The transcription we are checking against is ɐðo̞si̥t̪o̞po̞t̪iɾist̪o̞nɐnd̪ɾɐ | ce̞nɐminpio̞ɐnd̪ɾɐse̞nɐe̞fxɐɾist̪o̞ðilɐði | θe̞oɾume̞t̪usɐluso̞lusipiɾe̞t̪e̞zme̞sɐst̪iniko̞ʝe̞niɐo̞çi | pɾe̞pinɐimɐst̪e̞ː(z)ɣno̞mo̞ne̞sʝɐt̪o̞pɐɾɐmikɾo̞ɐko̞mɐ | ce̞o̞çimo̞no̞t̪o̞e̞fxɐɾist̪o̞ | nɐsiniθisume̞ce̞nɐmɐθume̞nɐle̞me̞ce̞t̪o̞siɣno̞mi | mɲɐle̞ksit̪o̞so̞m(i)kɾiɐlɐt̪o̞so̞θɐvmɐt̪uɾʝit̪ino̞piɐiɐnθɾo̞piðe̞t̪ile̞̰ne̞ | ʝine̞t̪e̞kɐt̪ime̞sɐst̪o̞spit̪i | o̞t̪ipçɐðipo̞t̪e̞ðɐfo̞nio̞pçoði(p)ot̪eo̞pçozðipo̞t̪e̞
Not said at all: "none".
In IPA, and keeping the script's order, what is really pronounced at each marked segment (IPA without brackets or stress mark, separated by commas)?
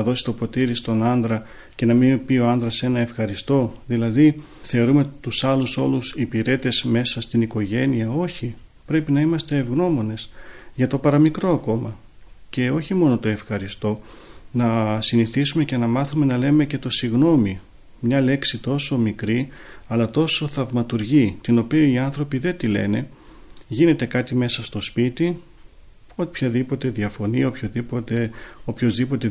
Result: v, i, p